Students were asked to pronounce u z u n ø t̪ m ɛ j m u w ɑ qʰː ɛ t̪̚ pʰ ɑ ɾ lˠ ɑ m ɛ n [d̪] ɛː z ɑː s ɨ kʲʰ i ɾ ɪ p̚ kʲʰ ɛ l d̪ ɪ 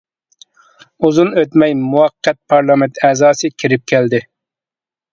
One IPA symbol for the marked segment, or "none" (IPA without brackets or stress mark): t̪